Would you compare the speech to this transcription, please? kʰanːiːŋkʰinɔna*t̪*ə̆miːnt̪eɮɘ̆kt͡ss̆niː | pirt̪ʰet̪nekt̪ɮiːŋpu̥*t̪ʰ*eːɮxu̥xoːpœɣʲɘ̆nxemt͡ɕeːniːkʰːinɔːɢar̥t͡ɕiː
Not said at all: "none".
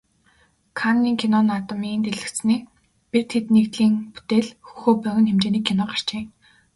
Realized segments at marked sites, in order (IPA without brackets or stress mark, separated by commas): t̪, t̪